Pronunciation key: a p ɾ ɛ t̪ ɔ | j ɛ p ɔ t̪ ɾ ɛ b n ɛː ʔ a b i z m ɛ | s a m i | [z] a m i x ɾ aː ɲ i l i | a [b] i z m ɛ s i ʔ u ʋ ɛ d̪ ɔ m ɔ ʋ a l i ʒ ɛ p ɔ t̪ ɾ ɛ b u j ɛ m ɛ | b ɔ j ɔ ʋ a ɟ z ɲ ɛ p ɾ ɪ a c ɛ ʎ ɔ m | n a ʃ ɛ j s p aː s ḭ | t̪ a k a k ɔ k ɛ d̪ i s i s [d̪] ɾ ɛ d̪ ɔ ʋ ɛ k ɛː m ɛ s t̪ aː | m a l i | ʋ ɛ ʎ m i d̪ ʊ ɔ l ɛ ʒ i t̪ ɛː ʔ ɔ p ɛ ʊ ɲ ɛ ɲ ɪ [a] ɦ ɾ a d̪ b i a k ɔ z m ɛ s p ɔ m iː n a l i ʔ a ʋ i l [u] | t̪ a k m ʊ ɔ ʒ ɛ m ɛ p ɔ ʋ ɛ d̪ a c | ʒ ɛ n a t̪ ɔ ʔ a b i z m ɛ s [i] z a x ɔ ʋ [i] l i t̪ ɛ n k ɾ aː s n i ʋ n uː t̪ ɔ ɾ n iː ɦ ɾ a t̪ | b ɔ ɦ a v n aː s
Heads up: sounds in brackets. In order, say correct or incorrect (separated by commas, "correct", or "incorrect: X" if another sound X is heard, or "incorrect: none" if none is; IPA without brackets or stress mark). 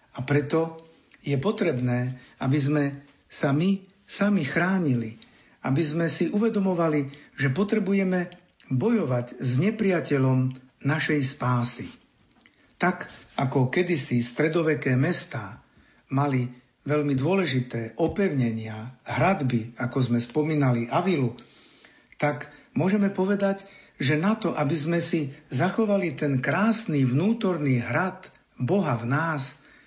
incorrect: s, correct, incorrect: t̪, correct, correct, correct, incorrect: a